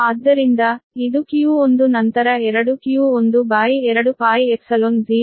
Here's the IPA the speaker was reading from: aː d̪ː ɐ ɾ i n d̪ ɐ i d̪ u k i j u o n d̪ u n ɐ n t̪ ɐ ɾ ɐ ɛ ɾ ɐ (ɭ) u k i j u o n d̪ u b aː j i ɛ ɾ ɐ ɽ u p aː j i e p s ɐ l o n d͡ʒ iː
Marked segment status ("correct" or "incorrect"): incorrect